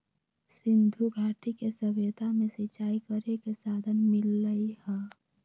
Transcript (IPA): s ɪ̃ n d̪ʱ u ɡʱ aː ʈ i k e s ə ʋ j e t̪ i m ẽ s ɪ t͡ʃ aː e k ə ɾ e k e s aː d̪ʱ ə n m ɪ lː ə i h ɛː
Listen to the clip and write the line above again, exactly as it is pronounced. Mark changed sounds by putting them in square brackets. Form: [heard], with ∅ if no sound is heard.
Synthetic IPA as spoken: s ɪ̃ n d̪ʱ u ɡʱ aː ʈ i k e s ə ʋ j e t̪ [a] m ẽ s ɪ t͡ʃ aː [i] k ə ɾ e k e s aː d̪ʱ ə n m ɪ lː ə i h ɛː